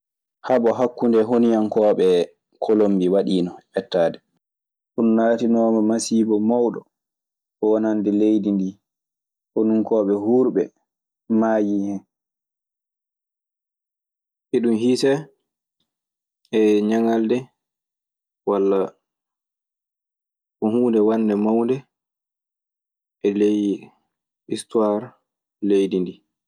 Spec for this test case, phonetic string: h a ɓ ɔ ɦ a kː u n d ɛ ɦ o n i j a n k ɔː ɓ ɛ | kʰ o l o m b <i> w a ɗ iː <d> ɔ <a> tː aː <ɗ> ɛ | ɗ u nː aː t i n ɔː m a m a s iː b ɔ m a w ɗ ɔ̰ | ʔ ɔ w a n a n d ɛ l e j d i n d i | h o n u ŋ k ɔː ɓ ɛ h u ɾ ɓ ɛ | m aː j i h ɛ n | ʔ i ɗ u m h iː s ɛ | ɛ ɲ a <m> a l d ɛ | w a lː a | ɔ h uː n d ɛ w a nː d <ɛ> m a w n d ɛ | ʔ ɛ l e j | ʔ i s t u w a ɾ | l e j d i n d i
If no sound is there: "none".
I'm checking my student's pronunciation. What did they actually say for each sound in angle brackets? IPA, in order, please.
i, n, ɛ, d, ŋ, ɛ

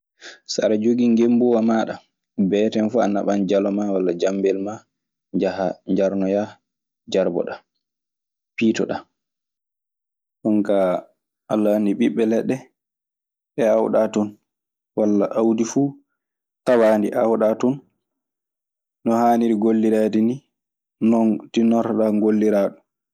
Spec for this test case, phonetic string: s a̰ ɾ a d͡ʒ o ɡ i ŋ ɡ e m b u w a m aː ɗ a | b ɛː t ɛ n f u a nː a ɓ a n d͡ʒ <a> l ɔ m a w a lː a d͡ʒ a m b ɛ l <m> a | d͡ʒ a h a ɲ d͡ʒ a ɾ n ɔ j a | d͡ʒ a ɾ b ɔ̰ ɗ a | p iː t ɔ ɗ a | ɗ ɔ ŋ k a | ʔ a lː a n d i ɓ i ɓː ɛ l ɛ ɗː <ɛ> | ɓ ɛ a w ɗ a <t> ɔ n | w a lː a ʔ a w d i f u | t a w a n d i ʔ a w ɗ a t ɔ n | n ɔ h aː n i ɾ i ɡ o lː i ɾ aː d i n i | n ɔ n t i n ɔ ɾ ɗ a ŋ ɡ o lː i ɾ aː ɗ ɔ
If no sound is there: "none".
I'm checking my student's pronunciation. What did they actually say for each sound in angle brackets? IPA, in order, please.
a, m, ɛ, t

